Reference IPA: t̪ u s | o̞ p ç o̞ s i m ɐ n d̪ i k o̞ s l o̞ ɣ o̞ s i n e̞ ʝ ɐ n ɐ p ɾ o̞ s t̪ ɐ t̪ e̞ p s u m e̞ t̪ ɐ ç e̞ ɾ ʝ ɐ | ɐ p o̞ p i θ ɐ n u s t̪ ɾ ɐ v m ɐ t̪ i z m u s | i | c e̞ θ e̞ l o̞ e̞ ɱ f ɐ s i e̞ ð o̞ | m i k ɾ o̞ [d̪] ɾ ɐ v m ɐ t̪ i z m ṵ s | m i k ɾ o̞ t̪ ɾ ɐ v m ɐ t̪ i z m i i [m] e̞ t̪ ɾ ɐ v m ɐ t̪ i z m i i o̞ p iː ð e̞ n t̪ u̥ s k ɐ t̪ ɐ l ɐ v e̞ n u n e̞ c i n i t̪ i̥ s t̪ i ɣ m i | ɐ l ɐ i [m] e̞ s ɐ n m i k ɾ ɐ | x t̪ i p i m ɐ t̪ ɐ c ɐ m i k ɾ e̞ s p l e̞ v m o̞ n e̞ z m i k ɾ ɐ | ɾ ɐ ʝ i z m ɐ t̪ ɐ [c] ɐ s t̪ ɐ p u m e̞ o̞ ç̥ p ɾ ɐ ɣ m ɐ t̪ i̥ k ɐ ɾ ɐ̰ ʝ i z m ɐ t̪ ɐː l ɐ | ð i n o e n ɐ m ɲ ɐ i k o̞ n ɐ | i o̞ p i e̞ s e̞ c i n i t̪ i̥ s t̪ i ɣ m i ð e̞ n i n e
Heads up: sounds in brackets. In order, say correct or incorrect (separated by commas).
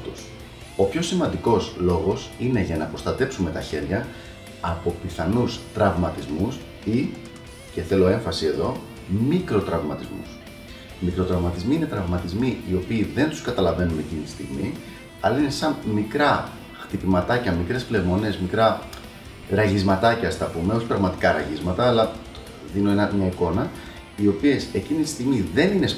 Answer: incorrect, incorrect, incorrect, correct